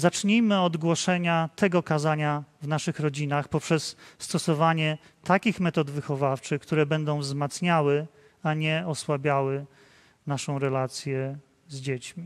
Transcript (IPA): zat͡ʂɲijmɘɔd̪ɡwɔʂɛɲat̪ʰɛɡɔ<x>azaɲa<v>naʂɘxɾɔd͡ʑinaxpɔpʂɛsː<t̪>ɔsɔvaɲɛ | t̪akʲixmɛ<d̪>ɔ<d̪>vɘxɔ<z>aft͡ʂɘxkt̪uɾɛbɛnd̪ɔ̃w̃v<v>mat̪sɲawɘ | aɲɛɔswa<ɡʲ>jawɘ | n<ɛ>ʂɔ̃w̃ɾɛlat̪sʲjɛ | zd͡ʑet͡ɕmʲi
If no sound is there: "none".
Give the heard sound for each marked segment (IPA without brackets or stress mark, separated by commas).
k, v, t̪, t̪, d̪, v, z, bʲ, a